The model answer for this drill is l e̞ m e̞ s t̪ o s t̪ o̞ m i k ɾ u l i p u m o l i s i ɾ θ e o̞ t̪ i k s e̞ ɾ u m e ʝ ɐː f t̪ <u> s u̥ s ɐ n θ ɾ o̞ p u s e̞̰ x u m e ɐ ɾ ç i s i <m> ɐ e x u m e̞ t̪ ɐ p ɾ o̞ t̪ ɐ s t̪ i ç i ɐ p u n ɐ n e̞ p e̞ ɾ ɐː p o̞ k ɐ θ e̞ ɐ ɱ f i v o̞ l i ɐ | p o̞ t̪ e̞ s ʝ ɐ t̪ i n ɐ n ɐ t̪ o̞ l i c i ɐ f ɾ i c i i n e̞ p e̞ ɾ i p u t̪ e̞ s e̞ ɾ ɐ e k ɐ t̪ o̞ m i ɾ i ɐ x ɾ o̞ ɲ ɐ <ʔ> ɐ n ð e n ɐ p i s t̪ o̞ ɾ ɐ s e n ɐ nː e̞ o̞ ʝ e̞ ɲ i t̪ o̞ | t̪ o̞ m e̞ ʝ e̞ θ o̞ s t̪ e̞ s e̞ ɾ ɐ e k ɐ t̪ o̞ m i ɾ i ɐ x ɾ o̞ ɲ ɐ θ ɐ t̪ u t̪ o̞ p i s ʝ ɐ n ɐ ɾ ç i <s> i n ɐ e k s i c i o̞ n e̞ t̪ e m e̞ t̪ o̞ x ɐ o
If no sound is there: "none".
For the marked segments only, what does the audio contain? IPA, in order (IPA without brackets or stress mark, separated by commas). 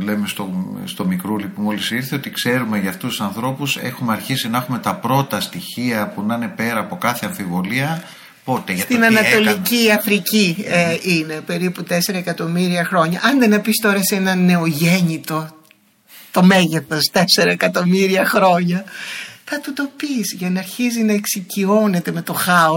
u, n, ʔ, z